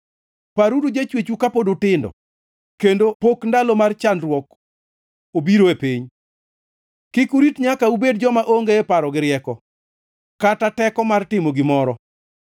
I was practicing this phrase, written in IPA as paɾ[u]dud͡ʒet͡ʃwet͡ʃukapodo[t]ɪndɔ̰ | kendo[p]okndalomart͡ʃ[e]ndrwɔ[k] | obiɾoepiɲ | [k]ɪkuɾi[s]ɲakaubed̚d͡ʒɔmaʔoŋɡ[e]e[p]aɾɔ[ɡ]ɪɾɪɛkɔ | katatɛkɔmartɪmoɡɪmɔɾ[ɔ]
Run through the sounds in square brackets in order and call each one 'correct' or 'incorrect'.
correct, correct, correct, incorrect: a, correct, correct, incorrect: t, correct, correct, correct, correct

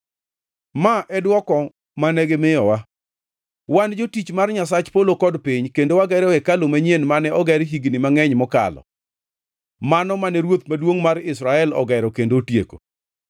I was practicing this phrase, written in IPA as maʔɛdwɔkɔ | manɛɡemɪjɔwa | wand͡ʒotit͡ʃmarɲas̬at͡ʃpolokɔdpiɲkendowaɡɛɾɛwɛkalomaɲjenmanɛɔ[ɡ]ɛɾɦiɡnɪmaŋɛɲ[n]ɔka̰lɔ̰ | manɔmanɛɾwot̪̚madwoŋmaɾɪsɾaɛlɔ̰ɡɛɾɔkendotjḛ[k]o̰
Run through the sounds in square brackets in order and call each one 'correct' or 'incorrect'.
correct, incorrect: m, correct

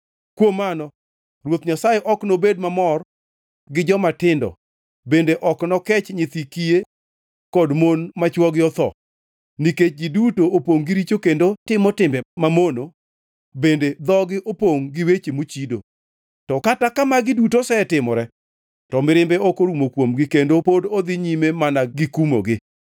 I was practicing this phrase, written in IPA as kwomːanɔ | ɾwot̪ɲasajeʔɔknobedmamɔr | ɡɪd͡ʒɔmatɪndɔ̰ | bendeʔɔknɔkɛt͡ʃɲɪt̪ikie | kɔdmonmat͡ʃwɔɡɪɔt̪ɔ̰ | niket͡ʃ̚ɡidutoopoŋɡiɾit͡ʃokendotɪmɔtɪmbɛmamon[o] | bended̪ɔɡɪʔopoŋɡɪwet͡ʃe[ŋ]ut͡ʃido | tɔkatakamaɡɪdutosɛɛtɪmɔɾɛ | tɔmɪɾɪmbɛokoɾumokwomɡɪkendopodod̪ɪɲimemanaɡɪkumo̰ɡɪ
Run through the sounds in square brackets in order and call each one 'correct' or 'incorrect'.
correct, incorrect: m

